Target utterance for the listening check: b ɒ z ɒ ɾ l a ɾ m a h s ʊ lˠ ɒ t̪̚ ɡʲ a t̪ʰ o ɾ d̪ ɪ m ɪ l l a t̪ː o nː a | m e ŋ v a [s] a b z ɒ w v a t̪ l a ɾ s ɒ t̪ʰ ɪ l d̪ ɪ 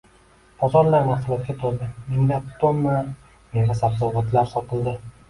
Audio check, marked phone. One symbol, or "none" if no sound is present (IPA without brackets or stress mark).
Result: s